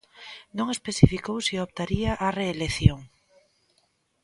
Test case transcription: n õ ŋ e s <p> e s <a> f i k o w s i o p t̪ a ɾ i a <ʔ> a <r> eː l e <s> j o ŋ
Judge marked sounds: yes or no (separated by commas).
yes, no, yes, yes, no